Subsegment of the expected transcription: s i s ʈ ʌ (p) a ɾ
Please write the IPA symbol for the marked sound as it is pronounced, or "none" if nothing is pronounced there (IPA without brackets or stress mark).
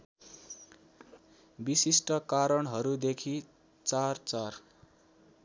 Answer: k